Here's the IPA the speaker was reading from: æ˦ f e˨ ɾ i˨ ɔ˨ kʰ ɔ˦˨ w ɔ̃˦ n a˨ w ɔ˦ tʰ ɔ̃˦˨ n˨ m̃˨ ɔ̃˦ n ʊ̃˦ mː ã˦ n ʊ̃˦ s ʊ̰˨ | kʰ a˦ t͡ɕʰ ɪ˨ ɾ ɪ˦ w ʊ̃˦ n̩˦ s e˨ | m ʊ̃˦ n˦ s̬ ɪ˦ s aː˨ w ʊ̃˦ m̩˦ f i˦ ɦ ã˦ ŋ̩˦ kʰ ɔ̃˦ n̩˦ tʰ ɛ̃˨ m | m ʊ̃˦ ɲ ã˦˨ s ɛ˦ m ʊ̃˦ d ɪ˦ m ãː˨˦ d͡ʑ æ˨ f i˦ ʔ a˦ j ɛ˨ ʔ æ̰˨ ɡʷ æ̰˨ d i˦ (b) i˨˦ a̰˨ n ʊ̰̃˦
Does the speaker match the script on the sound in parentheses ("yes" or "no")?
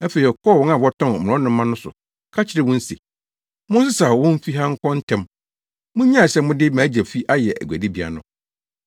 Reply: yes